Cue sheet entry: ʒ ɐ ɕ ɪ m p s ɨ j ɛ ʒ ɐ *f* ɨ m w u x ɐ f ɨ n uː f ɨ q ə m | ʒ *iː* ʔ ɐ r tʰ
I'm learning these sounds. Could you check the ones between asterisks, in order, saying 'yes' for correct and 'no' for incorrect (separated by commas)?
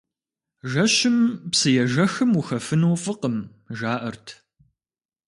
no, no